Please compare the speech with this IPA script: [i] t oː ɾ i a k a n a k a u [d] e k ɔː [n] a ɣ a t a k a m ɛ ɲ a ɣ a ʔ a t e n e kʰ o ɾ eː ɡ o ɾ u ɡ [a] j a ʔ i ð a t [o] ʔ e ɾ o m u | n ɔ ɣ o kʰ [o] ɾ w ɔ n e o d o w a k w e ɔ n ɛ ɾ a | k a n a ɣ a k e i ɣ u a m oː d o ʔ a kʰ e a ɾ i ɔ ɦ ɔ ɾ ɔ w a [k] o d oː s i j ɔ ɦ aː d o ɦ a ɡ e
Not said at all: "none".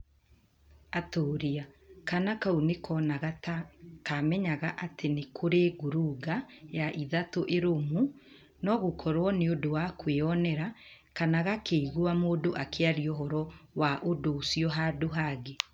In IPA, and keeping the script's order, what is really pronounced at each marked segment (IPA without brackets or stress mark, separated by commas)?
a, n, n, a, o, ɔ, ʔ